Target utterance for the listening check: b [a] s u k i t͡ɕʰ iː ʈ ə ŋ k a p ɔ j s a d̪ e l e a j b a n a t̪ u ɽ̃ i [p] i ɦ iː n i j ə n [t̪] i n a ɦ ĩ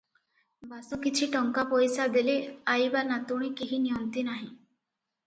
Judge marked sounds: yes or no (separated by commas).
yes, no, yes